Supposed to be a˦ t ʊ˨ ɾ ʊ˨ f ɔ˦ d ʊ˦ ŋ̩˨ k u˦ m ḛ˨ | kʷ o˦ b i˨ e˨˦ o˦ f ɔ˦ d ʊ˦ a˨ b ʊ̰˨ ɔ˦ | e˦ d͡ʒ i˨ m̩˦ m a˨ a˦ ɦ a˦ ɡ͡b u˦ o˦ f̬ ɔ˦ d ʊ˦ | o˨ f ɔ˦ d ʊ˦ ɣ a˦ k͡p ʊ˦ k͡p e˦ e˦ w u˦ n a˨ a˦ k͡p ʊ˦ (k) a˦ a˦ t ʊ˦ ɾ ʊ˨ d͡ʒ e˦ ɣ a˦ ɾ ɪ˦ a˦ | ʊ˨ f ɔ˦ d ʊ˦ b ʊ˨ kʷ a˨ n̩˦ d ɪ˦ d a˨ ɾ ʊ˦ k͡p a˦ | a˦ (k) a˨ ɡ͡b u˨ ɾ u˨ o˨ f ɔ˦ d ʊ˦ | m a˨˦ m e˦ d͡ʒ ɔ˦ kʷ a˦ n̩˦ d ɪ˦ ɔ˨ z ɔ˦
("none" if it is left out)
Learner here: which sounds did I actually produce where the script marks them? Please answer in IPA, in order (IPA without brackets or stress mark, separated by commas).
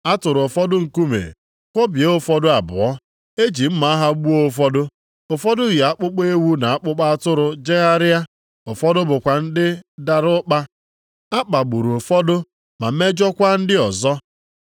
k͡p, k͡p